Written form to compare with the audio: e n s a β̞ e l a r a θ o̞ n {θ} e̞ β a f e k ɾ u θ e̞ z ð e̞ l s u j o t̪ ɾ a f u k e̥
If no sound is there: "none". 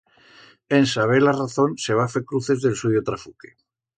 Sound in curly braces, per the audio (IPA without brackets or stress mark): s